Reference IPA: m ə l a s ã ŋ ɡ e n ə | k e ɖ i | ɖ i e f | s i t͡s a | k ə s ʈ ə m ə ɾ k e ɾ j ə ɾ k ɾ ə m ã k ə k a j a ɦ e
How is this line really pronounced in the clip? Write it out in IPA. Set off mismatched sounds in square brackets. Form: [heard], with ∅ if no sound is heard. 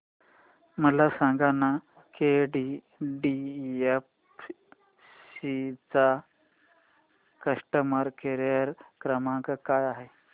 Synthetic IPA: m ə l a s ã ŋ ɡ [a] n [a] | k e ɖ i | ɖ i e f | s i t͡s a | k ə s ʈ ə m ə ɾ k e ɾ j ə ɾ k ɾ ə m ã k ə k a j a ɦ e